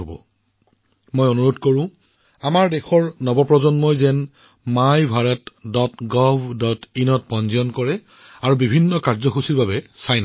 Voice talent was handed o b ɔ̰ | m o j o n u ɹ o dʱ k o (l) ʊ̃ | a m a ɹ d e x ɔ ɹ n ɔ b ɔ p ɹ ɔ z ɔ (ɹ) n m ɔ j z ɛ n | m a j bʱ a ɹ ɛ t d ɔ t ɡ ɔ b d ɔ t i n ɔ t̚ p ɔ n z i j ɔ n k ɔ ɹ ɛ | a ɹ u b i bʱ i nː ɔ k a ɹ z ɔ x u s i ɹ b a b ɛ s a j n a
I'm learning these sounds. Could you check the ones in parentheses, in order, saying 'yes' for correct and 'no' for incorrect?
no, no

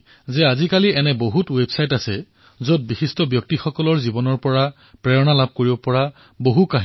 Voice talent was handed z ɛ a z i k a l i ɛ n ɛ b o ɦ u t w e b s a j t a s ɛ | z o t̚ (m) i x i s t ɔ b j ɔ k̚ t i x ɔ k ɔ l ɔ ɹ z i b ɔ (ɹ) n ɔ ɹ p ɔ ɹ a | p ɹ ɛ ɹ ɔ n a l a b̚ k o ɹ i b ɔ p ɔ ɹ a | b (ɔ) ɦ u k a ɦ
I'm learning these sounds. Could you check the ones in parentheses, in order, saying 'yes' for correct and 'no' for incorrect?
no, no, no

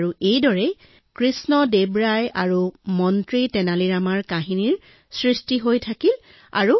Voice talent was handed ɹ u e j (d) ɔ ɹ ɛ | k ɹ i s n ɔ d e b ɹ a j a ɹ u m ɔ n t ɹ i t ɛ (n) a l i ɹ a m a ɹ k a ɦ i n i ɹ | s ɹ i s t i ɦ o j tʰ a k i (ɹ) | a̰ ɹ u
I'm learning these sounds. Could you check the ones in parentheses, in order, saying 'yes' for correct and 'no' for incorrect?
yes, yes, no

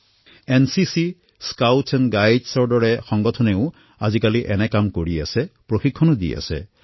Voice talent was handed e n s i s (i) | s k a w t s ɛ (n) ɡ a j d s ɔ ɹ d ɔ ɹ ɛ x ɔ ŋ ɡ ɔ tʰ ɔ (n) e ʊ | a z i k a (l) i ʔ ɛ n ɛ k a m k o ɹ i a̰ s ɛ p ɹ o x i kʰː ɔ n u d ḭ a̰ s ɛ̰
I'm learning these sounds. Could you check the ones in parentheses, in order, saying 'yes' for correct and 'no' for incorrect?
yes, yes, yes, yes

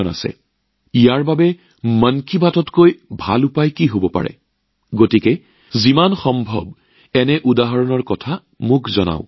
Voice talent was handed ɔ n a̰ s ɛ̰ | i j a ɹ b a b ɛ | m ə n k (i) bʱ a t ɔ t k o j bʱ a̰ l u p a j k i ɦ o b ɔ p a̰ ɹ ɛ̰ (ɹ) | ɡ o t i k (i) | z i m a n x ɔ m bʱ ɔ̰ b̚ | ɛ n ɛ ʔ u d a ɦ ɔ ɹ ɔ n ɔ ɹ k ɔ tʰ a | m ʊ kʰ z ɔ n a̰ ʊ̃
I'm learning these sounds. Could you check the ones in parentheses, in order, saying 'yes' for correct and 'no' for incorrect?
yes, no, no

